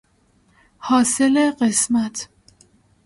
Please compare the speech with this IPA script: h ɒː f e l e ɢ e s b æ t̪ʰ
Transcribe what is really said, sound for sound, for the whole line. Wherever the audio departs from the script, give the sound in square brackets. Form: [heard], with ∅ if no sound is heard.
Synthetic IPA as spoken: h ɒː [s] e l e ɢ e s [m] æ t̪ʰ